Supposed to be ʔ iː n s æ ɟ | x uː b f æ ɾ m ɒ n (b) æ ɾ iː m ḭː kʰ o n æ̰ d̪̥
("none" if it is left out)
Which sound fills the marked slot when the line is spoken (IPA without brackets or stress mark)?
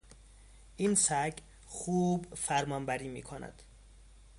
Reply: b